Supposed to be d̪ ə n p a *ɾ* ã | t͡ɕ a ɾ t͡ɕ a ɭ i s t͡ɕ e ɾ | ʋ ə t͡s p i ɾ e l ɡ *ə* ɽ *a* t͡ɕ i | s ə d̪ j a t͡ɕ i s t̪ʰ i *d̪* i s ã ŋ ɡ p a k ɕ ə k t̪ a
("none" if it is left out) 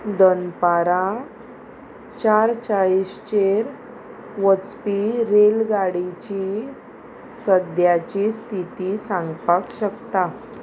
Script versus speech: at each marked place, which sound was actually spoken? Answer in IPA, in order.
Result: ɾ, a, i, t̪

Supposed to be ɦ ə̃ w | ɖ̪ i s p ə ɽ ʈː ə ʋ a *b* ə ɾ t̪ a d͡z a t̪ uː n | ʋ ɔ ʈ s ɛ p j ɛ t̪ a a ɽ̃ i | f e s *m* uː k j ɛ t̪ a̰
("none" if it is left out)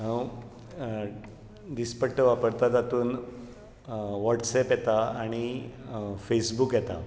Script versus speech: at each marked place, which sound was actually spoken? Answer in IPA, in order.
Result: p, b

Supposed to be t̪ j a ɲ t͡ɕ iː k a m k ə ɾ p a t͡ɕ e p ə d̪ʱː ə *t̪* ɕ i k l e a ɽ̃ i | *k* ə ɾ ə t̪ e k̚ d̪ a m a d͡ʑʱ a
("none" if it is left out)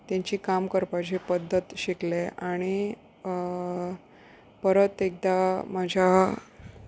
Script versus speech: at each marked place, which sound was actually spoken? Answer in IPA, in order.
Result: t̪, p

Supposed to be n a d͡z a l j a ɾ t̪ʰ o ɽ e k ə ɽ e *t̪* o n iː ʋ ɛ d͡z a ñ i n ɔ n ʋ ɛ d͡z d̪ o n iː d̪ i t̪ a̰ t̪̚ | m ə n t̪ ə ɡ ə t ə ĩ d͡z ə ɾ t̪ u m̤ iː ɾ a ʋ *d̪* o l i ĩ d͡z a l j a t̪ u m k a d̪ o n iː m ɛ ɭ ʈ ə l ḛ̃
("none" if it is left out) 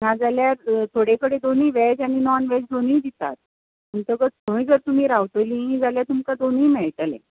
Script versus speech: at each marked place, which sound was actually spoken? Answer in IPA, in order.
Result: d̪, t̪

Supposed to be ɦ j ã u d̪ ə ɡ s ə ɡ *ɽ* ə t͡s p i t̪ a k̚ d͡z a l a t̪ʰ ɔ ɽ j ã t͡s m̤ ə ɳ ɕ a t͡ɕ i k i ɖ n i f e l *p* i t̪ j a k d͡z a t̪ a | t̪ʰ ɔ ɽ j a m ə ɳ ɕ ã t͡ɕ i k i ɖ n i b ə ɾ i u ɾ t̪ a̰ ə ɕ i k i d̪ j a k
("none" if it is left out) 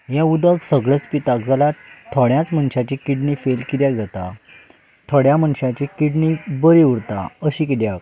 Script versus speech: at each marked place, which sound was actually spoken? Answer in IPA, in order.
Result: ɭ, k

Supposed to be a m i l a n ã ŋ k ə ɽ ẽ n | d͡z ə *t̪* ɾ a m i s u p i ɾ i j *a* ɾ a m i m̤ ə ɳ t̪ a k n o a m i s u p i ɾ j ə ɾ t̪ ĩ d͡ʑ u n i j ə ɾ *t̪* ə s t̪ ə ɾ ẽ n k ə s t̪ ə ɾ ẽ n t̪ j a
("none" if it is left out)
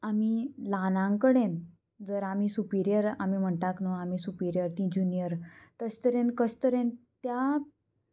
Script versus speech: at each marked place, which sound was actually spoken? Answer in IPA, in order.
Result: none, ə, t̪

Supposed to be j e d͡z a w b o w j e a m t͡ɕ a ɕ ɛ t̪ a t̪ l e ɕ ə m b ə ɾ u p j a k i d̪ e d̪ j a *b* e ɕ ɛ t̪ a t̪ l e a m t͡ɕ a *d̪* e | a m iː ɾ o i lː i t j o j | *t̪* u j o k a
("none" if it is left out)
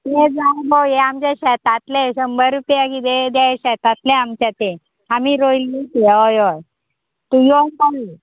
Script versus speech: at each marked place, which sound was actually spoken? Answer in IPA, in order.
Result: none, t̪, t̪

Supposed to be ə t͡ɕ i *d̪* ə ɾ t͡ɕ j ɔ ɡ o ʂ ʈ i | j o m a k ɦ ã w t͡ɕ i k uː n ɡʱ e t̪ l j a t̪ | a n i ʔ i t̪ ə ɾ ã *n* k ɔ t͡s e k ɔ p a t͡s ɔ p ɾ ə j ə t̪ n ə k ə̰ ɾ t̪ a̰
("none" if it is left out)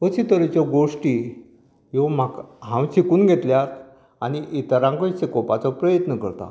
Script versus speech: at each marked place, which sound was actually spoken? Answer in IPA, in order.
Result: t̪, ŋ

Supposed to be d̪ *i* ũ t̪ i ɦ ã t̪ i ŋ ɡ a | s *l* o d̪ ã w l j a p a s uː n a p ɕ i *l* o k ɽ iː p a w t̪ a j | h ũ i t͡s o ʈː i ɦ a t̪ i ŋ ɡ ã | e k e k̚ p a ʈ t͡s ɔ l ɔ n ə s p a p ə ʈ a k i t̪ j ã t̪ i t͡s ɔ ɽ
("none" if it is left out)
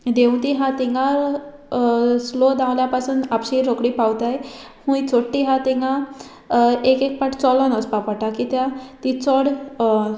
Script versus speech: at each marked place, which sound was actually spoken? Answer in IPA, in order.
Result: e, l, ɾ

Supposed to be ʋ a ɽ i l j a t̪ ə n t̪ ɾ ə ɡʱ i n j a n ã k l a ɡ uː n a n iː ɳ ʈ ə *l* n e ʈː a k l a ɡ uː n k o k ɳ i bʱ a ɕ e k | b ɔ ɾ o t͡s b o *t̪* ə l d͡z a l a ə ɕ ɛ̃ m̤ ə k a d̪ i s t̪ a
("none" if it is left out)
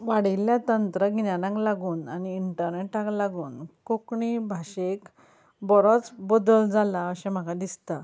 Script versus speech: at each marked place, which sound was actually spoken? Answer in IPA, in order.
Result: ɾ, d̪

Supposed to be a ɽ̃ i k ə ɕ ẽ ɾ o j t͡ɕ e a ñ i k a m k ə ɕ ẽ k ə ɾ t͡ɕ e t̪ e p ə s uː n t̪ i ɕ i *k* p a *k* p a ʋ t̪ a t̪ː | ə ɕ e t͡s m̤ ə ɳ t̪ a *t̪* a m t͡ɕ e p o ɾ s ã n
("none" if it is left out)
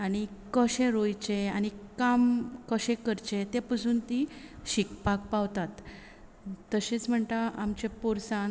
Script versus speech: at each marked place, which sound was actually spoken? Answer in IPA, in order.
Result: k, k, none

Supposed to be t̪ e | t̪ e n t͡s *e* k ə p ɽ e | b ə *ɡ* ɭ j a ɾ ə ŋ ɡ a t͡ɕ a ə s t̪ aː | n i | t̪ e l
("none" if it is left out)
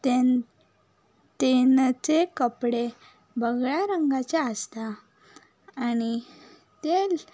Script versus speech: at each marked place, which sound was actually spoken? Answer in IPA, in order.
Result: e, ɡ

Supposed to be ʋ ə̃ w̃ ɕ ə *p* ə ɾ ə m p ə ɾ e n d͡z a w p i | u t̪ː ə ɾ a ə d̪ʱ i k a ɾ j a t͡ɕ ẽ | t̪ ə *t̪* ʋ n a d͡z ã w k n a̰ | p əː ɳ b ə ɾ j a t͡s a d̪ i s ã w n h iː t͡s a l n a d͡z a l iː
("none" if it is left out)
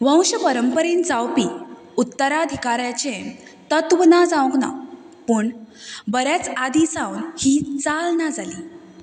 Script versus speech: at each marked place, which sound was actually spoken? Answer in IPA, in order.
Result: p, t̪

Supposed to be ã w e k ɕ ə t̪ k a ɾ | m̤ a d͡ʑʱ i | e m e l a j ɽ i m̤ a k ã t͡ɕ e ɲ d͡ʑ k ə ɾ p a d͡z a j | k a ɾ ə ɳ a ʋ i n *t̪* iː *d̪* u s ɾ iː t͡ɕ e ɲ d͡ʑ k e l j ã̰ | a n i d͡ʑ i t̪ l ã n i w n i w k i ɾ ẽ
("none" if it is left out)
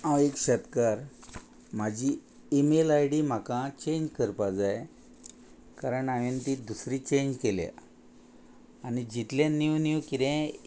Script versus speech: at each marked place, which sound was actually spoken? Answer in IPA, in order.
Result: t̪, d̪

